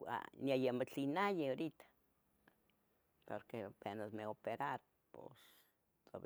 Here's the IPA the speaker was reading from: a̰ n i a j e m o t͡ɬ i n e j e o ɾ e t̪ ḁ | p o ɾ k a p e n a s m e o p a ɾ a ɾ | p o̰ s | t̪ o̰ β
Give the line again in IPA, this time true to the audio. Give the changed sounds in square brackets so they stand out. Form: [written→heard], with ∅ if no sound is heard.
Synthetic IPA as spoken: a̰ n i a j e m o t͡ɬ i n [e→a] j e o ɾ [e→i] t̪ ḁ | p o ɾ k [a→e] p e n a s m e o p [a→e] ɾ a ɾ | p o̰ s | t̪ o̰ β